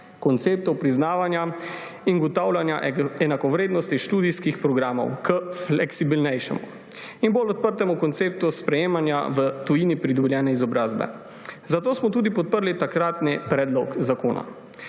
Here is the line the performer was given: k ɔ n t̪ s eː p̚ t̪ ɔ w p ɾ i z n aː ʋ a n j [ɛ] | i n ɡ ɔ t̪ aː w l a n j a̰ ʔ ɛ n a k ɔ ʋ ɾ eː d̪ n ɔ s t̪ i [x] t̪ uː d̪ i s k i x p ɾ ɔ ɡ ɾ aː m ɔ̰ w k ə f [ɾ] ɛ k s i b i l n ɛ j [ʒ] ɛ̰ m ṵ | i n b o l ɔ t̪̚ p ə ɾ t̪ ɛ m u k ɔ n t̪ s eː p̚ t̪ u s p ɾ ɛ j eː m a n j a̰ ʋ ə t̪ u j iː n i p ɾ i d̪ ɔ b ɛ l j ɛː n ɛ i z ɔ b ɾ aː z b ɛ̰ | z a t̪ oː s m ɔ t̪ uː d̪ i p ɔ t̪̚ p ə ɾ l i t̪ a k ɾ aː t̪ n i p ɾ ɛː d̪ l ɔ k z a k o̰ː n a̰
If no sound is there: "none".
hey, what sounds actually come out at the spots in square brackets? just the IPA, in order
a, ʃ, l, ʃ

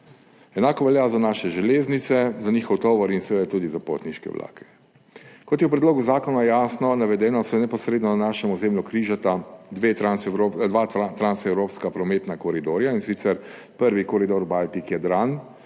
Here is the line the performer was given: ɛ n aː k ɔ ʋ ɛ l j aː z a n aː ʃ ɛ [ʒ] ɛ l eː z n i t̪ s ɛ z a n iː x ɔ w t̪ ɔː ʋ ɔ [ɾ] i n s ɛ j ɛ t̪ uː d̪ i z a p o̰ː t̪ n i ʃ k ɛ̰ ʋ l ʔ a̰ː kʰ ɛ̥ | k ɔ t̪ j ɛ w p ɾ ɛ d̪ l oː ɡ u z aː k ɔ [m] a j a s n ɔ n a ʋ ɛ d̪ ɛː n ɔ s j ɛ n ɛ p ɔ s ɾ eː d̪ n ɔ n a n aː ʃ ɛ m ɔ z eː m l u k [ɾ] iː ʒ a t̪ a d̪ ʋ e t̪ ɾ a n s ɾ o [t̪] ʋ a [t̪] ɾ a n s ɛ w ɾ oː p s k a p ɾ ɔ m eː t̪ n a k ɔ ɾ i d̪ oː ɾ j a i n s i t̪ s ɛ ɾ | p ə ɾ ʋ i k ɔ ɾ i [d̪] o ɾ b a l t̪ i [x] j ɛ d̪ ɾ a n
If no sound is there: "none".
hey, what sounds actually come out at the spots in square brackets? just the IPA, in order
ʒ, ɾ, n, ɾ, d̪, t̪, d̪, k

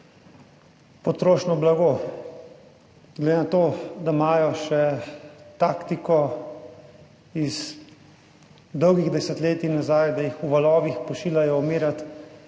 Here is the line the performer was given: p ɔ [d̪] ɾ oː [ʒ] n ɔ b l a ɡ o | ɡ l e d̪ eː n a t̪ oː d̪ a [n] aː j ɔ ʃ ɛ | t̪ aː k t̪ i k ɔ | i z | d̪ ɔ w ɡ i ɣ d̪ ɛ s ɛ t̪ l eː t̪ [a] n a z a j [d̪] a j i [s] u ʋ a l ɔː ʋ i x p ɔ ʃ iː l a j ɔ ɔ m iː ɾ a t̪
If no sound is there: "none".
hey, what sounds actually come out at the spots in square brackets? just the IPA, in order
t̪, ʃ, m, i, d̪, x

